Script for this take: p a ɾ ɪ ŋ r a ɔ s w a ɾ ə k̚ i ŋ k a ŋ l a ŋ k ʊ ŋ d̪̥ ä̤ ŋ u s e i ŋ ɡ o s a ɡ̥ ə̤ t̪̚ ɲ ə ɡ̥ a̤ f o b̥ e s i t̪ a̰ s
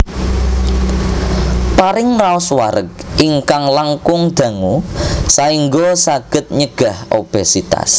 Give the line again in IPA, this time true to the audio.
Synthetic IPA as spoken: p a ɾ ɪ ŋ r a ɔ s w a ɾ ə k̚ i ŋ k a ŋ l a ŋ k ʊ ŋ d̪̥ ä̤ ŋ u s a i ŋ ɡ o s a ɡ̥ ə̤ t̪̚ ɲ ə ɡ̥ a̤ h o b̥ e s i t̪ a̰ s